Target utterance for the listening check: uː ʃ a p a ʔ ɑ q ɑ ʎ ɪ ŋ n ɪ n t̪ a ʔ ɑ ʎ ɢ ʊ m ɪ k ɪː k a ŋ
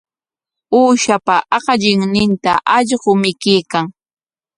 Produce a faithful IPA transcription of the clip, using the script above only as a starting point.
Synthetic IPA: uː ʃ a p a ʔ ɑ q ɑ ʎ ɪ ŋ n ɪ n t̪ a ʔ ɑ ʎ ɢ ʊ m ɪ k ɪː k a ŋ